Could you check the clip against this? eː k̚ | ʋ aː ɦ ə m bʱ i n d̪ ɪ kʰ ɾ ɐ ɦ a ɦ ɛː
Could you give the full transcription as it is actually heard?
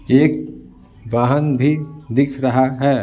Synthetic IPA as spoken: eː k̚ | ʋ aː ɦ ə n bʱ i d̪ ɪ kʰ ɾ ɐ ɦ a ɦ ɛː